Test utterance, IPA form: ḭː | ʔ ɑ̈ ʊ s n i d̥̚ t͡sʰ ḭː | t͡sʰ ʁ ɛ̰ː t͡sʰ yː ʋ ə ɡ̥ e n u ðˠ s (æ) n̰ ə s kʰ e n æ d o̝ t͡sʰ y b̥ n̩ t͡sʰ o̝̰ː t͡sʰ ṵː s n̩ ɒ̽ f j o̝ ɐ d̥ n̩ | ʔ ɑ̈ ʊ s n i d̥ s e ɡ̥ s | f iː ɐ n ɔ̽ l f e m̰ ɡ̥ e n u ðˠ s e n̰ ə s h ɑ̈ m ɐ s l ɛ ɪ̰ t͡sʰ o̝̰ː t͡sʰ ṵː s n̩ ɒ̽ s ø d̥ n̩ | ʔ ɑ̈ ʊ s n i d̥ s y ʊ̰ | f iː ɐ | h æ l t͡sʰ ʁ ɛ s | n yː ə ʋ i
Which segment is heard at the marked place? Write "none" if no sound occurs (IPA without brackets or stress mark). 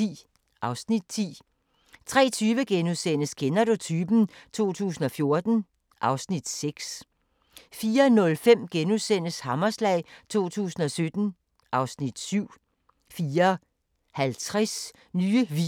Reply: e